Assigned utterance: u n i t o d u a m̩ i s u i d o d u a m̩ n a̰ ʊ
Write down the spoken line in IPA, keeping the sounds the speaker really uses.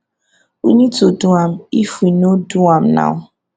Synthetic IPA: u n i t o d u a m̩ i f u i n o d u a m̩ n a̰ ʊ